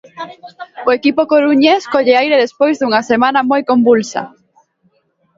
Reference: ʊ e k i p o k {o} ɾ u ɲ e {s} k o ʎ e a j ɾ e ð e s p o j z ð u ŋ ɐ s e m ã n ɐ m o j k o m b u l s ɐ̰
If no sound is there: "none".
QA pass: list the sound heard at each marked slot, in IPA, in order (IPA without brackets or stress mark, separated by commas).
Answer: o, s